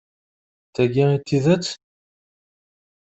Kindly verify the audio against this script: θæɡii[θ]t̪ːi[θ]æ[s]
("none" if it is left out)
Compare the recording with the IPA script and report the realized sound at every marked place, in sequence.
none, ð, t͡s

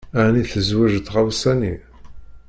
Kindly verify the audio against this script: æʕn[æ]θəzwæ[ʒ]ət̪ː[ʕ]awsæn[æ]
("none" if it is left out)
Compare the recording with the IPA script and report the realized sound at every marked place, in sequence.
i, ʒ, ʁ, i

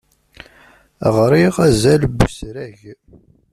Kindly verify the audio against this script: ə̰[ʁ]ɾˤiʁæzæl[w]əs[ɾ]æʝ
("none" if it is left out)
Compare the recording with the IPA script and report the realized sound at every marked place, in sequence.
ʁ, b, ɾ

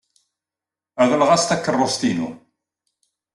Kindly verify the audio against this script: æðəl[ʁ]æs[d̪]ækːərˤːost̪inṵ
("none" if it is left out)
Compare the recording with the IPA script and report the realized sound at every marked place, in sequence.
ʁ, t̪

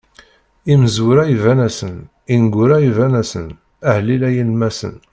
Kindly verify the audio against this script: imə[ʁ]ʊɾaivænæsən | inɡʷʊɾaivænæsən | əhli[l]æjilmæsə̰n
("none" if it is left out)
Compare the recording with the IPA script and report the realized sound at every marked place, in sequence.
z, l

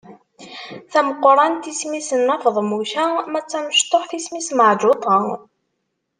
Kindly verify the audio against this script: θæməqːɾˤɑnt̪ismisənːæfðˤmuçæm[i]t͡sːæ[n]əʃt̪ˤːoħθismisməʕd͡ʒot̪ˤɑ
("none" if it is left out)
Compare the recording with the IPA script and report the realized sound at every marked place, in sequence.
æ, m

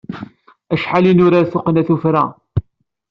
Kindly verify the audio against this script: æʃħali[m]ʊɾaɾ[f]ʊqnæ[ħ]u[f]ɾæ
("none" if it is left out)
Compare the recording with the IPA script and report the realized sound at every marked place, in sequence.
n, θ, θ, f

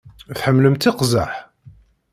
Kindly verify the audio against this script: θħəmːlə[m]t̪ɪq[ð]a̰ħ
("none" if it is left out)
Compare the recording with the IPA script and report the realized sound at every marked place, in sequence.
m, z

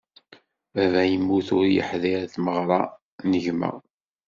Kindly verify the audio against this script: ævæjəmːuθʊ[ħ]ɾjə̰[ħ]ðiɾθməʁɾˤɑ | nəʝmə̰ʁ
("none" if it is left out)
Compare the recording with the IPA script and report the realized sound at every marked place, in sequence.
none, ħ

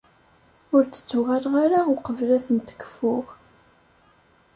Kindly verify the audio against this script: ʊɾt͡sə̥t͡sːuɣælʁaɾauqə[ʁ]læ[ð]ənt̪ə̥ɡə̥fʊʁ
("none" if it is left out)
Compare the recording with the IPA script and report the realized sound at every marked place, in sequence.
v, θ

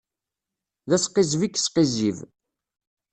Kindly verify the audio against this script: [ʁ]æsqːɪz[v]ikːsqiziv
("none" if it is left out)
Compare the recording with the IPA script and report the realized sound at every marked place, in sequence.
ð, v

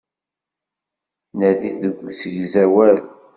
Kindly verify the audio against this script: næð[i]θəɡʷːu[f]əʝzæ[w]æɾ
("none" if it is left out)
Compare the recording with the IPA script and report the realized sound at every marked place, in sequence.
i, s, w

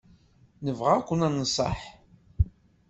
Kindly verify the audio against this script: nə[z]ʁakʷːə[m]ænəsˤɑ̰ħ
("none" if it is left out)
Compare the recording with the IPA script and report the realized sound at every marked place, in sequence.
v, n

